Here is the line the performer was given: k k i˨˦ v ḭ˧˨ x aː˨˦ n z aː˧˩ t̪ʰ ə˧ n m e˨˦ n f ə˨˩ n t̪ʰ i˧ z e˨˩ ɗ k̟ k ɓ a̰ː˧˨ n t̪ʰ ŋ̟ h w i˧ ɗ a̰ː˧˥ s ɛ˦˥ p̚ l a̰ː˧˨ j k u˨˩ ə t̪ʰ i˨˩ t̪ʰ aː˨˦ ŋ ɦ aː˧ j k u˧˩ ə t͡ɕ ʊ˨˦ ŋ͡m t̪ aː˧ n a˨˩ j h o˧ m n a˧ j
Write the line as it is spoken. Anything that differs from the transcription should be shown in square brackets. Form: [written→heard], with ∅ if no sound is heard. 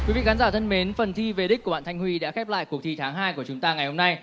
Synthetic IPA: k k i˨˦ v ḭ˧˨ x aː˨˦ n z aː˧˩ t̪ʰ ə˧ n m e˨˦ n f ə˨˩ n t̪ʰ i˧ [z→v] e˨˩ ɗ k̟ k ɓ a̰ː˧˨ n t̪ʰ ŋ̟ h w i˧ ɗ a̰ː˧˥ [s→x] ɛ˦˥ p̚ l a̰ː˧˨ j k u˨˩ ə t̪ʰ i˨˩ t̪ʰ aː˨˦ ŋ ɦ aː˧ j k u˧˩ ə t͡ɕ ʊ˨˦ ŋ͡m t̪ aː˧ [n→ŋ] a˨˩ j h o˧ m n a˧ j